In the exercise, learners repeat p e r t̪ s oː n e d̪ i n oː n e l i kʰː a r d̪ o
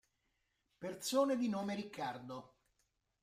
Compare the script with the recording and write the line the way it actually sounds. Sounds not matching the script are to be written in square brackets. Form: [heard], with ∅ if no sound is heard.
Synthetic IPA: p e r t̪ s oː n e d̪ i n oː [m] e [ɾ] i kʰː a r d̪ o